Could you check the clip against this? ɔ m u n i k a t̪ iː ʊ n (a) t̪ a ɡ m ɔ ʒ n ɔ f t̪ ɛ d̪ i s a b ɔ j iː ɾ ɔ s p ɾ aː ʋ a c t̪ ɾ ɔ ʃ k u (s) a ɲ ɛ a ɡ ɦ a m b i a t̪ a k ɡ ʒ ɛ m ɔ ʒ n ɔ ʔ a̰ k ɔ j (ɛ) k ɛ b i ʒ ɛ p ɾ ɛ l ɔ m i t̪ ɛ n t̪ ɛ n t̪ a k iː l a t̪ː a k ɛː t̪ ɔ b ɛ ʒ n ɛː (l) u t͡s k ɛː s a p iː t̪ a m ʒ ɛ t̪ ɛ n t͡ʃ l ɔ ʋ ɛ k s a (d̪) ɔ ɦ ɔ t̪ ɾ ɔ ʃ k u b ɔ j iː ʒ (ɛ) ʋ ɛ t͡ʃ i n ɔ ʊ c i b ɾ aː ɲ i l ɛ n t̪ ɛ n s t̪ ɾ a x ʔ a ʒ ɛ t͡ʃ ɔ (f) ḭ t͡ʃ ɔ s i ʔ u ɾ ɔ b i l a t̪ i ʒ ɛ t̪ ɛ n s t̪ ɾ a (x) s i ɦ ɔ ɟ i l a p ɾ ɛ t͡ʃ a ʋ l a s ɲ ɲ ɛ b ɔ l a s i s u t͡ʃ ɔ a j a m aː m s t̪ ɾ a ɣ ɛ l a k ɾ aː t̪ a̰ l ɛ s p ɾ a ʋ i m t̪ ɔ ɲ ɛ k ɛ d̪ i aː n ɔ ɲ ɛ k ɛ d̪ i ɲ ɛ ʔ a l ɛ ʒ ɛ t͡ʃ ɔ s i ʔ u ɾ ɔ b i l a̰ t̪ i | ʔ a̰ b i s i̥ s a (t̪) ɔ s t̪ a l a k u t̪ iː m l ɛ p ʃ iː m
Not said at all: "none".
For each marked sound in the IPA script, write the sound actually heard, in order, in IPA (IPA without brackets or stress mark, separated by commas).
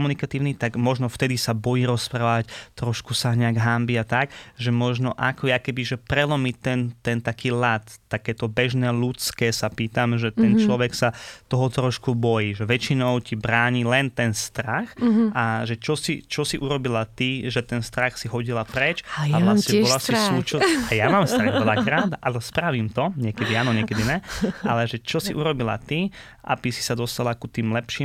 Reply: i, s, a, l, t̪, ɛ, s, x, d̪